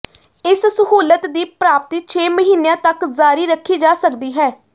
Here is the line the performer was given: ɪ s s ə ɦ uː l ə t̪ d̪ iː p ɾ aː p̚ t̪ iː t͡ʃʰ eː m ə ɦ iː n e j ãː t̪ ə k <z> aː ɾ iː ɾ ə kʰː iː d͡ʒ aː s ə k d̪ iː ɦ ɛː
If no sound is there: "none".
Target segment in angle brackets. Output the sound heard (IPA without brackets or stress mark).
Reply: z